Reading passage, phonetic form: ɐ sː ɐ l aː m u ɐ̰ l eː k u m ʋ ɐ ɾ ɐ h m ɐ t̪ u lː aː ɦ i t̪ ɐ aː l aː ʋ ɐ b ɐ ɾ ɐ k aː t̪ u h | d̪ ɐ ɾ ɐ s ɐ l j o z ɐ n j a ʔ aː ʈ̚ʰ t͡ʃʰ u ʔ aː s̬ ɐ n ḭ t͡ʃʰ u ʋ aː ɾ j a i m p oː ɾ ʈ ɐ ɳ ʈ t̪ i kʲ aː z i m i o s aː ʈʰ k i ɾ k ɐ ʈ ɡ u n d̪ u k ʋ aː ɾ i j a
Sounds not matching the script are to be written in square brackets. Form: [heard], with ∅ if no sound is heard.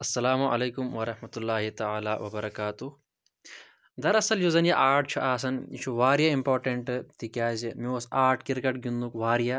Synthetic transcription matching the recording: ɐ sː ɐ l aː m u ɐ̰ l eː k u m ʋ ɐ ɾ ɐ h m ɐ t̪ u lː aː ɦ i t̪ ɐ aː l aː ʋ ɐ b ɐ ɾ ɐ k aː t̪ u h | d̪ ɐ ɾ ɐ s ɐ l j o z ɐ n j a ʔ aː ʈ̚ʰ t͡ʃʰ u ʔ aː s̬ ɐ n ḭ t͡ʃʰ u ʋ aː ɾ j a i m p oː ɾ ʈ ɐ ɳ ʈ t̪ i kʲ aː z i m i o s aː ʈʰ k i ɾ k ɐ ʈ ɡ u n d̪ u k ʋ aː ɾ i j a